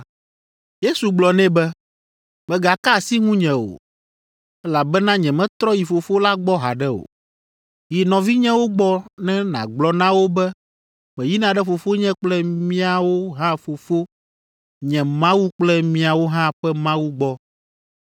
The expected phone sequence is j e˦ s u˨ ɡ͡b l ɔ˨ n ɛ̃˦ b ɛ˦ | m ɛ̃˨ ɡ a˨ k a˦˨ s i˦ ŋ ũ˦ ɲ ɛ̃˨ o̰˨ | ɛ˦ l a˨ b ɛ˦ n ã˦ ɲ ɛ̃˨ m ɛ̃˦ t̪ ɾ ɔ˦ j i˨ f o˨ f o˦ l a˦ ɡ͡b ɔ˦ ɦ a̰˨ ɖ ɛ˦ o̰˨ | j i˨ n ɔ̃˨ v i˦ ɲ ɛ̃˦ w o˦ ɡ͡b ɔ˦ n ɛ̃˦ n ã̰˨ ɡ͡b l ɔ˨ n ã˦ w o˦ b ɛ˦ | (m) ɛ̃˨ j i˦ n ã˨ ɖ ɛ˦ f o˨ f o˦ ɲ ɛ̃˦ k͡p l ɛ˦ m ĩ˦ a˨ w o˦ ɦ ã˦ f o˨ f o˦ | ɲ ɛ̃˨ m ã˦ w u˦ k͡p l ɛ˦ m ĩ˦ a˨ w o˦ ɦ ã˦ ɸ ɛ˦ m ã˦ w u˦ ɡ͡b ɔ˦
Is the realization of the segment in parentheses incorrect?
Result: no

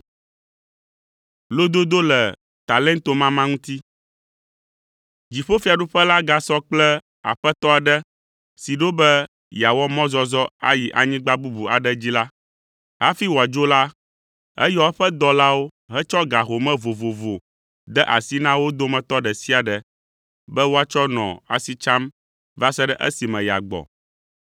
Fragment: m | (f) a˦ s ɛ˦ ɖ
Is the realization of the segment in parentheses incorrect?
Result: yes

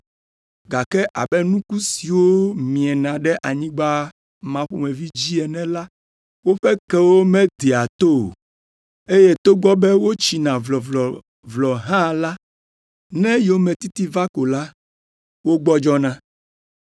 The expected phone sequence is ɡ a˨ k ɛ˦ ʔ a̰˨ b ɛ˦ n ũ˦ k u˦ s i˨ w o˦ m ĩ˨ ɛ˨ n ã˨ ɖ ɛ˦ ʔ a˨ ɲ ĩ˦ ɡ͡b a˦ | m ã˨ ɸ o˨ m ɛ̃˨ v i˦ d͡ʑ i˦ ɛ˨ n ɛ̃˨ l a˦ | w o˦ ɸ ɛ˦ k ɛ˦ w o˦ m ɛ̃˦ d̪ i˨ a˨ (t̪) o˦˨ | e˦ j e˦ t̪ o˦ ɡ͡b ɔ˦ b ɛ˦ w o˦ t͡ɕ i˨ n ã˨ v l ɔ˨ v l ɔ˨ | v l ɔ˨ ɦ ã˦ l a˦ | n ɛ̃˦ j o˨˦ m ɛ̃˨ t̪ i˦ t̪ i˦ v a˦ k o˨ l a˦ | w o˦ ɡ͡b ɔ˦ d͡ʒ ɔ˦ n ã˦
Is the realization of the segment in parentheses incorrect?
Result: no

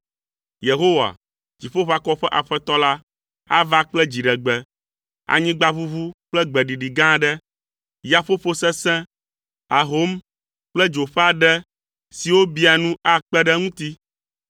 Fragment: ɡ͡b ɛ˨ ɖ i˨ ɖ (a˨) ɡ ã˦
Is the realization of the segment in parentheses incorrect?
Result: yes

